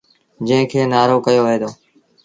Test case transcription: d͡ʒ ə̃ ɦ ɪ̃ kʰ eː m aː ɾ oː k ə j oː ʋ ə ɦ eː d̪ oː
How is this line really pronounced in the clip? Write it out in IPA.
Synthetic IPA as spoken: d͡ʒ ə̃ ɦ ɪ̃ kʰ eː n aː ɾ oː k ə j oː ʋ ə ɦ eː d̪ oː

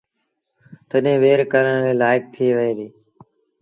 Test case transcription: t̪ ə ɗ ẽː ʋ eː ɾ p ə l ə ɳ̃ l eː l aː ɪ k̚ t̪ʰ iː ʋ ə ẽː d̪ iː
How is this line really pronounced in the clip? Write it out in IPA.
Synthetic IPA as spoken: t̪ ə ɗ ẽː ʋ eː ɾ k ə ɾ ə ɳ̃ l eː l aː ɪ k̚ t̪ʰ iː ʋ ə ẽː d̪ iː

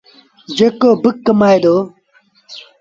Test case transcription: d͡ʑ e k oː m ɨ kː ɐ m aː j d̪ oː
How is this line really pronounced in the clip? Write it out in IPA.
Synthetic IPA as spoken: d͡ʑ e k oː b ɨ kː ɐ m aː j d̪ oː

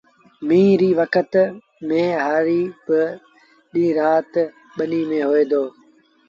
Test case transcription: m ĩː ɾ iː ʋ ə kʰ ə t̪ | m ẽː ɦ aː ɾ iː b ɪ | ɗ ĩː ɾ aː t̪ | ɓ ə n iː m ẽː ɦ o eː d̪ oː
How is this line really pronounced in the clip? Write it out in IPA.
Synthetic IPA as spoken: m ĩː ɾ iː ʋ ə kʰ ə t̪ | m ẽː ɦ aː ɾ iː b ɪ | ɗ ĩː ɾ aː t̪ | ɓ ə n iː m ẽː ɦ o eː d̪ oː

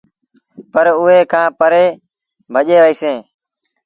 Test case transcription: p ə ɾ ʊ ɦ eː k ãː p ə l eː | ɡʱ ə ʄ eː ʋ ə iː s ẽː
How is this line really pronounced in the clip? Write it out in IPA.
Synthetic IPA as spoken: p ə ɾ ʊ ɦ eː kʰ ãː p ə ɾ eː | bʱ ə ʄ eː ʋ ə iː s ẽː

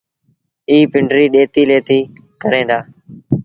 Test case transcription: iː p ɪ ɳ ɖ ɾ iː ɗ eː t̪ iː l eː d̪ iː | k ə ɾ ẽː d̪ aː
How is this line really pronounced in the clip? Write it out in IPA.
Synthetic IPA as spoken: iː p ɪ ɳ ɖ ɾ iː ɗ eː t̪ iː l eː t̪ iː | k ə ɾ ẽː d̪ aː

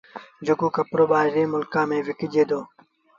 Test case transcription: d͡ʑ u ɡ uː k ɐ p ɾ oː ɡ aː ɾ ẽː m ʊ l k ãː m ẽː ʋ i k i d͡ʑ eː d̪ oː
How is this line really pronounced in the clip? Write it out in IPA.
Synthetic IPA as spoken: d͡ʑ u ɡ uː k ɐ p ɾ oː b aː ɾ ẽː m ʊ l k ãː m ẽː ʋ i k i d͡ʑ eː d̪ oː

